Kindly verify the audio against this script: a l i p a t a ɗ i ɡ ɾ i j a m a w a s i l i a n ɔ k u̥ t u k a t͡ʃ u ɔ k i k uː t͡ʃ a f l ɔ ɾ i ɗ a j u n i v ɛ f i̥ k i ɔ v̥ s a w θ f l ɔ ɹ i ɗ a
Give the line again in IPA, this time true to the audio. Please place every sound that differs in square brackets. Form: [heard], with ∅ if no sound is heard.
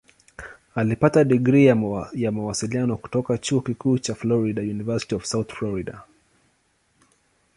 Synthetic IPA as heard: a l i p a t a ɗ i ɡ ɾ i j a m a w a s i l i a n ɔ k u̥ t [ɔ] k a t͡ʃ u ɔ k i k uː t͡ʃ a f l ɔ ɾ i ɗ a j u n i v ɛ [s] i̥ [t] i ɔ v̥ s a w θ f l ɔ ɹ i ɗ a